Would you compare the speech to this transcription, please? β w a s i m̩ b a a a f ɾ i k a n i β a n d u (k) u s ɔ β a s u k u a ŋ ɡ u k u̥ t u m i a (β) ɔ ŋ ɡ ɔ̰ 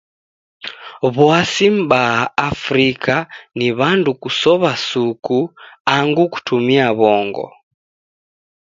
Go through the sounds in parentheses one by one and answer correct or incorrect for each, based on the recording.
correct, correct

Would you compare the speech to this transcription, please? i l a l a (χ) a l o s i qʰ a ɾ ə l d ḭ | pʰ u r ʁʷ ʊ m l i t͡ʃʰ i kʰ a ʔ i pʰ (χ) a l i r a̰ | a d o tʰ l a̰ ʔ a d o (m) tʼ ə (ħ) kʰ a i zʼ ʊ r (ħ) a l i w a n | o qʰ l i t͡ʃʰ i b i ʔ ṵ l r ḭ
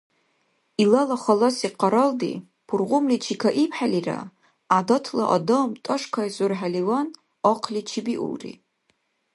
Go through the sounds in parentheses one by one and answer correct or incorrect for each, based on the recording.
correct, incorrect: ħ, correct, incorrect: ʂ, correct

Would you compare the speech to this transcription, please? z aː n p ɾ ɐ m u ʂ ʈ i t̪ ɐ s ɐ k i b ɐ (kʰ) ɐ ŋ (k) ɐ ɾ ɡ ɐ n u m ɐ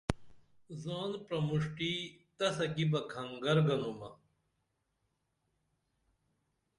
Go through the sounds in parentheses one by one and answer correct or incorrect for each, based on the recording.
correct, incorrect: ɡ

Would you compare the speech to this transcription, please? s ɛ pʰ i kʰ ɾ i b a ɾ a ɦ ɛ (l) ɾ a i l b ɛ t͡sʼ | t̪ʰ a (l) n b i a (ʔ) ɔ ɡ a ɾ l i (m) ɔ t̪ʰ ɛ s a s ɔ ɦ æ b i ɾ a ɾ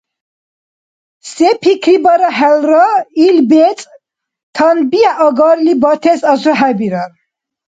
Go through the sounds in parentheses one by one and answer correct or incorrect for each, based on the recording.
correct, incorrect: none, correct, incorrect: b

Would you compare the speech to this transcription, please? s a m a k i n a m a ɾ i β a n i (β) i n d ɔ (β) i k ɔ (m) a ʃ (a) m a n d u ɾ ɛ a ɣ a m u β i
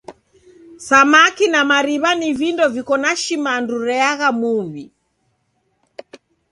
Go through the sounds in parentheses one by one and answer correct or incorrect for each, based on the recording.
incorrect: v, incorrect: v, incorrect: n, incorrect: i

